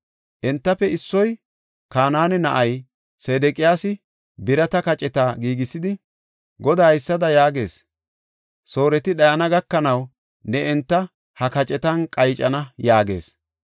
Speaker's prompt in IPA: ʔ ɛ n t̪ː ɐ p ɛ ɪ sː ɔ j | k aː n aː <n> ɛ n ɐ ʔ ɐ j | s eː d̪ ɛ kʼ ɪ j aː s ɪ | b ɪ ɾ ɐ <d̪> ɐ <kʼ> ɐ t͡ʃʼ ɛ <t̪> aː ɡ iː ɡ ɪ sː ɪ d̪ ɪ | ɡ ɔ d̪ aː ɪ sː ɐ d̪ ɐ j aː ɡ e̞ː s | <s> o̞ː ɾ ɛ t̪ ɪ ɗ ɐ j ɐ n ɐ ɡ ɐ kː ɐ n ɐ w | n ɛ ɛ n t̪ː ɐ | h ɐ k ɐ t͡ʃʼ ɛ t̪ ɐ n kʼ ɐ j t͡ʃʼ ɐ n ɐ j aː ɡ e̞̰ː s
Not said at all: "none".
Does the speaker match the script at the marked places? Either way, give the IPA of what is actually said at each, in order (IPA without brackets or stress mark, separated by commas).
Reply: n, t̪, k, t̪, s